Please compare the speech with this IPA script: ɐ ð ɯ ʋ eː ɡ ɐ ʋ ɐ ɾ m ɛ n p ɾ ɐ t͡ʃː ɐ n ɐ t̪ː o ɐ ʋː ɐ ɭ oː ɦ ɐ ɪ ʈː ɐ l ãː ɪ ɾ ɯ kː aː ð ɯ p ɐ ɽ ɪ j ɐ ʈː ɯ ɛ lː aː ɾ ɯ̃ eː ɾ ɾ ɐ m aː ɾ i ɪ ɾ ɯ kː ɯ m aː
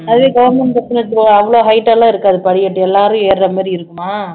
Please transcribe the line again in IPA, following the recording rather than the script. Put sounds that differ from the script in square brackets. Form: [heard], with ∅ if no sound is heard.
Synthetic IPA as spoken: ɐ ð ɯ ʋ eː ɡ ɐ ʋ ɐ ɾ m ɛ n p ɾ ɐ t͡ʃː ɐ n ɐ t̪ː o ɐ ʋː ɐ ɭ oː ɦ ɐ ɪ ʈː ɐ l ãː ɪ ɾ ɯ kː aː ð ɯ p ɐ ɽ ɪ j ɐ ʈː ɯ ɛ lː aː ɾ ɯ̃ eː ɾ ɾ ɐ m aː ɾ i ɪ ɾ ɯ kː ɯ m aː